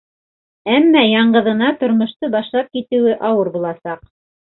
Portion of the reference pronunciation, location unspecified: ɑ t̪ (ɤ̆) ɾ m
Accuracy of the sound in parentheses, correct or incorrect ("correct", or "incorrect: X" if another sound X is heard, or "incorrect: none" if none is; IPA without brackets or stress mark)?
incorrect: ŏ